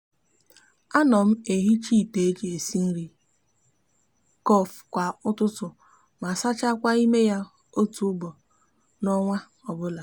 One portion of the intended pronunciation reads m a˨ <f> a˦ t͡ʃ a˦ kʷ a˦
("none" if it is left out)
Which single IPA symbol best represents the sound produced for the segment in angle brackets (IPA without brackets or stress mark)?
s